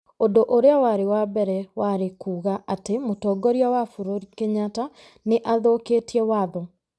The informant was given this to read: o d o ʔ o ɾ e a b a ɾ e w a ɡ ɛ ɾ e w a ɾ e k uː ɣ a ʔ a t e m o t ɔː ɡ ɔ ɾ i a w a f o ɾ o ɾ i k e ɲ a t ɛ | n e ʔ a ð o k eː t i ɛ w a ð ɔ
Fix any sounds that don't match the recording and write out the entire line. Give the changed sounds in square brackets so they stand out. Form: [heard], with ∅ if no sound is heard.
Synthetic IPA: o d o ʔ o ɾ e a [w] a ɾ e w a [b] ɛ ɾ [ɛ] w a ɾ e k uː ɣ a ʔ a t e m o t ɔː ɡ ɔ ɾ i a w a f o ɾ o ɾ i k e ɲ a t [a] | n e ʔ a ð o k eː t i ɛ w a ð ɔ